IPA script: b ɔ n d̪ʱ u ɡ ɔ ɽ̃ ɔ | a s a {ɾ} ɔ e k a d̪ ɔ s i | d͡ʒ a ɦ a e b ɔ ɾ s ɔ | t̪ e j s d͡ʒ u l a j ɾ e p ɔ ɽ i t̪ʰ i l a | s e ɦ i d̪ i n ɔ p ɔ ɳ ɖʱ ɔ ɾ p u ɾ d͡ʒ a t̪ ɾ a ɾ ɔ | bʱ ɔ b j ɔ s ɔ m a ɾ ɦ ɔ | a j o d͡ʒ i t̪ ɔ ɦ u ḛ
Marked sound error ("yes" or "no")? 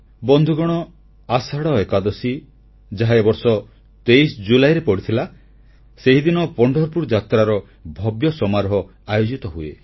yes